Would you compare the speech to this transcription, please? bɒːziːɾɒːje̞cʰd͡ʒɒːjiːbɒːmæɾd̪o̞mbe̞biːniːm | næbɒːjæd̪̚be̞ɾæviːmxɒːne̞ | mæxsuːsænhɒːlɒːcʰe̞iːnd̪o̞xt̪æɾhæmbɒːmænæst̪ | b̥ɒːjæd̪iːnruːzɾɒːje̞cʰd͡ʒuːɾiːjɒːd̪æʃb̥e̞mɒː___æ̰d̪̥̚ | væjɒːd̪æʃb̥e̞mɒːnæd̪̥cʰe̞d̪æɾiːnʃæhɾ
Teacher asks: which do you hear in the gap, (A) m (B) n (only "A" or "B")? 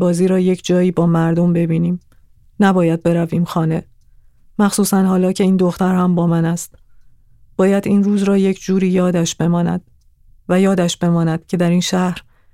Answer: B